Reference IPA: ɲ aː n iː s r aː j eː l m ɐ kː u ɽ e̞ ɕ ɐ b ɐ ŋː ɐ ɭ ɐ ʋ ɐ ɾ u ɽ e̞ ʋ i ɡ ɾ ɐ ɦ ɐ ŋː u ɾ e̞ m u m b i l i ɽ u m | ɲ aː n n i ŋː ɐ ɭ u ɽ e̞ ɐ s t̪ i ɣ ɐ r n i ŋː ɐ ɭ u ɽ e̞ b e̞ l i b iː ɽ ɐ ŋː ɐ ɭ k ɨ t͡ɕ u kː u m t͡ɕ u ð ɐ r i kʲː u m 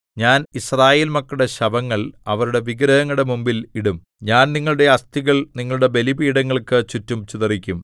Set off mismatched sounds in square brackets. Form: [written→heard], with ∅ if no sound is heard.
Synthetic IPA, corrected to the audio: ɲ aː n [iː→i] s r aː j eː l m ɐ kː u ɽ e̞ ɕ ɐ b ɐ ŋː ɐ ɭ ɐ ʋ ɐ ɾ u ɽ e̞ ʋ i ɡ ɾ ɐ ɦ ɐ ŋː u [ɾ→ɽ] e̞ m u m b i l i ɽ u m | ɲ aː n n i ŋː ɐ ɭ u ɽ e̞ ɐ s t̪ i ɣ ɐ [r→ɭ] n i ŋː ɐ ɭ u ɽ e̞ b e̞ l i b iː ɽ ɐ ŋː ɐ ɭ k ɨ t͡ɕ u [kː→tː] u m t͡ɕ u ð ɐ r i kʲː u m

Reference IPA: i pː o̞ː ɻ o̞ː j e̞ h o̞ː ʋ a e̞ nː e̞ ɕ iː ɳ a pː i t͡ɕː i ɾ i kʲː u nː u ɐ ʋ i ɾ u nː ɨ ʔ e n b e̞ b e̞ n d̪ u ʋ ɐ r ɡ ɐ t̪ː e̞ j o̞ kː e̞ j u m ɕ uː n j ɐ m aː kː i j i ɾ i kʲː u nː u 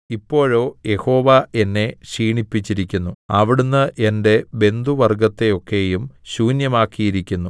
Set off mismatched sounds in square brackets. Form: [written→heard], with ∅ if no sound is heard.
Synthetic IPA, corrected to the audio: i pː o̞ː ɻ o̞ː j e̞ h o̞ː ʋ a e̞ nː e̞ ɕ iː ɳ [a→i] pː i t͡ɕː i ɾ i kʲː u nː u ɐ ʋ i [ɾ→ɽ] u nː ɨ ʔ e n [b→d] e̞ b e̞ n d̪ u ʋ ɐ r ɡ ɐ t̪ː e̞ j o̞ kː e̞ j u m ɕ uː n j ɐ m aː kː i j i ɾ i kʲː u nː u

